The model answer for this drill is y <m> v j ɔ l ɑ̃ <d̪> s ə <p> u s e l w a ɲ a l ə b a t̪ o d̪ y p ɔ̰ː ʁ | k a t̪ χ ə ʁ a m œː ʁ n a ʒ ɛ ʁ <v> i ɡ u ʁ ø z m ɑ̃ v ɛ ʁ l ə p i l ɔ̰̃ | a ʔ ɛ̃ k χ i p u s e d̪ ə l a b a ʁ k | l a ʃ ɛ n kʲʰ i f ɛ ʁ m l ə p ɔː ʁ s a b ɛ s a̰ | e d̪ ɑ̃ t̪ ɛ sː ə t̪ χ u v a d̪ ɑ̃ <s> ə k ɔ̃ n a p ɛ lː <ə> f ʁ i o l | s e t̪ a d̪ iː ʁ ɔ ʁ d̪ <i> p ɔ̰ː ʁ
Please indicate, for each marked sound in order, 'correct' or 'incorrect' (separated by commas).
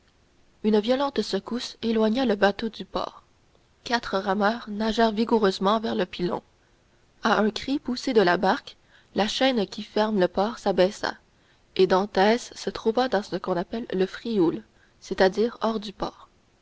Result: incorrect, incorrect, incorrect, correct, correct, correct, incorrect